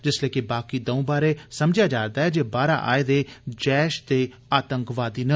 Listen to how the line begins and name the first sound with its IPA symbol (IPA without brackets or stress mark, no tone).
d͡ʒ